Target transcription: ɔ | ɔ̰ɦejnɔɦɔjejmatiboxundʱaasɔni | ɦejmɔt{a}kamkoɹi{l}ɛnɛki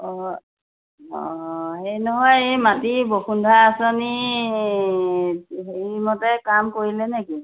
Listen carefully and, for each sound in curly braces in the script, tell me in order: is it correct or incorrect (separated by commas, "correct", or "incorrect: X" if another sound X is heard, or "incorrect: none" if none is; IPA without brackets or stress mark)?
incorrect: ɛ, correct